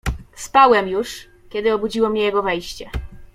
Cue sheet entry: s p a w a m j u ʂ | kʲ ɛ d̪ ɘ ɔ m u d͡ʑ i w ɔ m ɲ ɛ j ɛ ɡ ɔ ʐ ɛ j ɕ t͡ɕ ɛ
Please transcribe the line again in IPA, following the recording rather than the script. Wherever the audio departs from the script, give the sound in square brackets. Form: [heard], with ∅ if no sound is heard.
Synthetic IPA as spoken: s p a w [ɛ] m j u ʂ | kʲ ɛ d̪ ɘ ɔ [b] u d͡ʑ i w ɔ m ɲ ɛ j ɛ ɡ ɔ [v] ɛ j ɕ t͡ɕ ɛ